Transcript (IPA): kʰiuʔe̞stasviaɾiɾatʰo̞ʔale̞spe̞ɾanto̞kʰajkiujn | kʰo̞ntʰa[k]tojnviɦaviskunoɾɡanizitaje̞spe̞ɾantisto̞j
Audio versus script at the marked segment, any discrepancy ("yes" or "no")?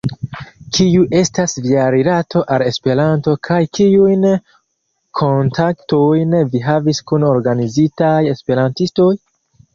no